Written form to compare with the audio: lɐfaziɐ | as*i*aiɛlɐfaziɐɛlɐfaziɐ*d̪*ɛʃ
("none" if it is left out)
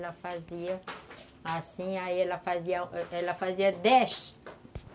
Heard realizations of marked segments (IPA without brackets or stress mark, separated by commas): ĩ, d̪